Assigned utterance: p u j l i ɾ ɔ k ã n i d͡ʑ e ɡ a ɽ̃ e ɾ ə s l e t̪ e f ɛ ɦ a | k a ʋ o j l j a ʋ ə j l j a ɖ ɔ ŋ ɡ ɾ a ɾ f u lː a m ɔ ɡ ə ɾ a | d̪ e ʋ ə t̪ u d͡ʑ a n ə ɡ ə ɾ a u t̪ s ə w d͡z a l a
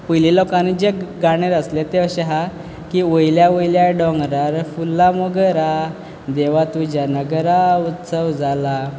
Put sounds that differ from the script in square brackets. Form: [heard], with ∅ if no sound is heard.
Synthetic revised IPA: p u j l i [l] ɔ k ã n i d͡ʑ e ɡ a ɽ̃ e ɾ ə s l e t̪ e [ɕ] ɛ ɦ a | k [i] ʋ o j l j a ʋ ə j l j a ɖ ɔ ŋ ɡ ɾ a ɾ f u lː a m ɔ ɡ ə ɾ a | d̪ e ʋ [a] t̪ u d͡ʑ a n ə ɡ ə ɾ a u t̪ s ə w d͡z a l a